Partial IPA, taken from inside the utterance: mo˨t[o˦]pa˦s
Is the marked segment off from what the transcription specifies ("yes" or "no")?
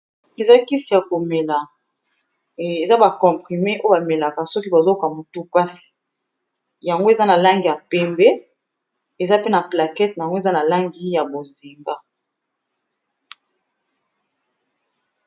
yes